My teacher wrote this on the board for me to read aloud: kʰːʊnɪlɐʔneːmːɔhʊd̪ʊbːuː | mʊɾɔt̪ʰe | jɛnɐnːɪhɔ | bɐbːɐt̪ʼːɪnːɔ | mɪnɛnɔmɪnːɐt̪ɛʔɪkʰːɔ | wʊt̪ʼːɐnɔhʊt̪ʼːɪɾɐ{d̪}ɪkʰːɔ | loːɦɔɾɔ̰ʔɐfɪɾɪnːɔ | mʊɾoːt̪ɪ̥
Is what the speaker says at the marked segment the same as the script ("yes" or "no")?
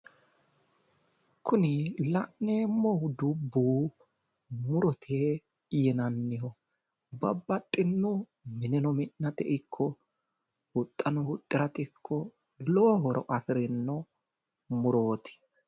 no